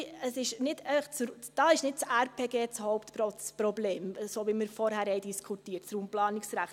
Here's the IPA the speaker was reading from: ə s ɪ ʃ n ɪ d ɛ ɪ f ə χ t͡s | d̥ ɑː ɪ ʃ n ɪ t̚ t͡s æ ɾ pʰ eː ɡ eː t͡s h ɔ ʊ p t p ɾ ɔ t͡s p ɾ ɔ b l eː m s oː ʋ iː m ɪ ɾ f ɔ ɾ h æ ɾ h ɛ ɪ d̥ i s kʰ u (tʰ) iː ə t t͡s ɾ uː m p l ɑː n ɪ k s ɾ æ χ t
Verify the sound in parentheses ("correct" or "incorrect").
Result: incorrect